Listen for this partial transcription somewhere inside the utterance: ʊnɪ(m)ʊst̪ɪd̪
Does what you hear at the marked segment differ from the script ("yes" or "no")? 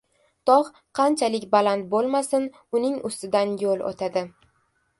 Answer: yes